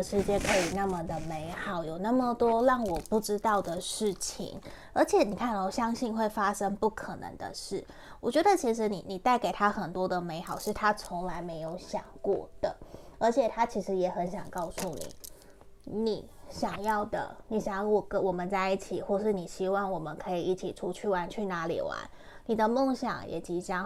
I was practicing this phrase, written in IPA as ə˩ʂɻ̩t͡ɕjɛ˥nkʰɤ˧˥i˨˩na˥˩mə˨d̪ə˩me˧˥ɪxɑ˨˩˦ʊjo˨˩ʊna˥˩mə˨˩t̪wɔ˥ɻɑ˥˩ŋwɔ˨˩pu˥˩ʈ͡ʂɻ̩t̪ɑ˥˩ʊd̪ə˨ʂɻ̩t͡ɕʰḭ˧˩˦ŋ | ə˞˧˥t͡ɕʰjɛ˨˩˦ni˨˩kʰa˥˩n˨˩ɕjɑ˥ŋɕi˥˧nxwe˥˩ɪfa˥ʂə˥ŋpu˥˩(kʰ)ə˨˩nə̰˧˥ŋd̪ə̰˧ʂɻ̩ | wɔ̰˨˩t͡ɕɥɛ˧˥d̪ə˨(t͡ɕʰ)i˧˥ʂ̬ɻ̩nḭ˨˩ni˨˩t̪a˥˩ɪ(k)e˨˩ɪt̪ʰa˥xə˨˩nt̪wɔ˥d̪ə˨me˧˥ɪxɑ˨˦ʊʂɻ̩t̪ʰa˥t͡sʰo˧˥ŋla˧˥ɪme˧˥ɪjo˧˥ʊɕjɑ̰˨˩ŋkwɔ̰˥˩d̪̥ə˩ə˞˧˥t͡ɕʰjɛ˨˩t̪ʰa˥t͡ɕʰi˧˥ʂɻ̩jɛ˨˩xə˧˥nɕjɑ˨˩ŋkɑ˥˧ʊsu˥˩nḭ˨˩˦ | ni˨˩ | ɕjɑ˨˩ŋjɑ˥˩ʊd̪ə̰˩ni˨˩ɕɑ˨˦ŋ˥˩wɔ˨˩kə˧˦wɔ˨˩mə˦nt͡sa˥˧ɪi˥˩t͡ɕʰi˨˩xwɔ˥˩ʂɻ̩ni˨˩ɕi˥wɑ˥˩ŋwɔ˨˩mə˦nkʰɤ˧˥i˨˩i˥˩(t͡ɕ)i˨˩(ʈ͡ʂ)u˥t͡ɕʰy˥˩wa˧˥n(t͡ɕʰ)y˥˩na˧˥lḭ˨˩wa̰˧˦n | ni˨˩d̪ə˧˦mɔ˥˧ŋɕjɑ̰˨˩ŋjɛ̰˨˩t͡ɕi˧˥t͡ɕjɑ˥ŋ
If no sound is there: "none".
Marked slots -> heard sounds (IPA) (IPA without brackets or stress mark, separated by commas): kʰ, t͡ɕʰ, k, t͡ɕʰ, ʈ͡ʂʰ, t͡ɕʰ